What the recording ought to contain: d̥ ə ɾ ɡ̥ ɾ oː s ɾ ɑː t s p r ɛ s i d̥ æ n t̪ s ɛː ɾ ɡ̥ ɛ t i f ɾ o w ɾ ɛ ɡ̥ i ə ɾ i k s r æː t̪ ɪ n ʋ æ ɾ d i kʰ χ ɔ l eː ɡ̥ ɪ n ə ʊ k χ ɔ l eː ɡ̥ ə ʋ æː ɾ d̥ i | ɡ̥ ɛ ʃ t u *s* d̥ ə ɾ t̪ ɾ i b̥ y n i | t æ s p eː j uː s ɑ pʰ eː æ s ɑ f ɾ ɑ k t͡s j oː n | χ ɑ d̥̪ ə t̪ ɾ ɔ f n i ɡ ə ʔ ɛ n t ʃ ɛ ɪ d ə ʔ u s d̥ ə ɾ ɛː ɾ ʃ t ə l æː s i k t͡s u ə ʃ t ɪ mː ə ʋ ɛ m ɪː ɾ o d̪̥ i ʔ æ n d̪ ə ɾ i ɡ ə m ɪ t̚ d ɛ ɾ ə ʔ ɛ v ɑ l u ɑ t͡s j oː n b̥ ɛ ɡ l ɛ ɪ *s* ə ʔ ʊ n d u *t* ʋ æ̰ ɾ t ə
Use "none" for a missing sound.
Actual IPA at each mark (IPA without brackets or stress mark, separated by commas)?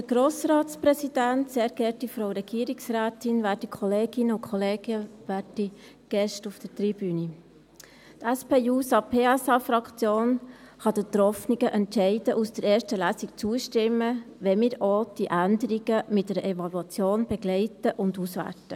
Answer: f, t, s